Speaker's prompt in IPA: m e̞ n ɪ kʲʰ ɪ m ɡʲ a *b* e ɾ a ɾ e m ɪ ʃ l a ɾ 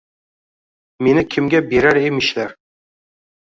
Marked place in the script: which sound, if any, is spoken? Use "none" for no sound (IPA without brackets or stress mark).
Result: b